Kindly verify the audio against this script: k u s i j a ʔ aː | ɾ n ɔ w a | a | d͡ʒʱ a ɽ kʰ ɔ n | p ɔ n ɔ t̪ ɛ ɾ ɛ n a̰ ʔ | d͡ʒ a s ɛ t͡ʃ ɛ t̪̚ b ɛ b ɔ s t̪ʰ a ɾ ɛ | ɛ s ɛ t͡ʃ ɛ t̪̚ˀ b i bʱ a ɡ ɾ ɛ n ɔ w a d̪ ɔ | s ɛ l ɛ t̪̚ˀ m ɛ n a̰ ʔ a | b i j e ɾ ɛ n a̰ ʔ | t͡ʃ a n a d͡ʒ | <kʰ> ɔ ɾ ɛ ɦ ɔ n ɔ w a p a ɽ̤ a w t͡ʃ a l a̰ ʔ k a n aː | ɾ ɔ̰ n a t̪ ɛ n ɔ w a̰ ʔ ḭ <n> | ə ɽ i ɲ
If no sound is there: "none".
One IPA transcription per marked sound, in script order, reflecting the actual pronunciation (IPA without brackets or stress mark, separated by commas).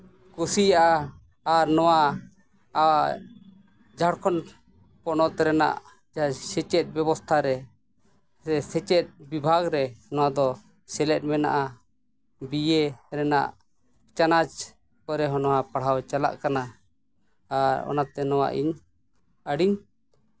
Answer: k, ɲ